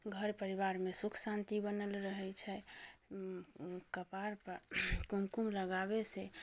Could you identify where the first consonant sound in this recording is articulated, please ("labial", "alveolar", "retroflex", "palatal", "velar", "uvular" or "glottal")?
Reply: velar